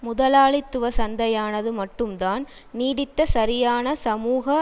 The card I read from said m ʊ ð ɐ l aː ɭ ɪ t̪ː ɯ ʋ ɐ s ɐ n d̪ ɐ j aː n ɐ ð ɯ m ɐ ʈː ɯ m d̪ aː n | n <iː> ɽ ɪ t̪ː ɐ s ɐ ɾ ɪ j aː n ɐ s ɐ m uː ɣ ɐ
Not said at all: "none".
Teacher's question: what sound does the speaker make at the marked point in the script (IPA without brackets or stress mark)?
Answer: iː